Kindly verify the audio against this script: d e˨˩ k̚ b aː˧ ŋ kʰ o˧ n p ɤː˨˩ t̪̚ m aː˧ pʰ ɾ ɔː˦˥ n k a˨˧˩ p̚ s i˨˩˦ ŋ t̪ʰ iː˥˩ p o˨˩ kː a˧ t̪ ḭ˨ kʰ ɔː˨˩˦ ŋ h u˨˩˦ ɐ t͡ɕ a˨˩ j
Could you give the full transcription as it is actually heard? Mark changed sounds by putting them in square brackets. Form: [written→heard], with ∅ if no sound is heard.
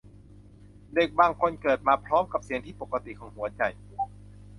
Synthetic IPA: d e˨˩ k̚ b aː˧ ŋ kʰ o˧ n [p→k] ɤː˨˩ t̪̚ m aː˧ pʰ ɾ ɔː˦˥ [n→m] k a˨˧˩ p̚ s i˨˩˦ ŋ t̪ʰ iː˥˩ p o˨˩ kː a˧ t̪ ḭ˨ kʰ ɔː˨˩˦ ŋ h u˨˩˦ ɐ t͡ɕ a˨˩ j